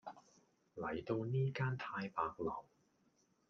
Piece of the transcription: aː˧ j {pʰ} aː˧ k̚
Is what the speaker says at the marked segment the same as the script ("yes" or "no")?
no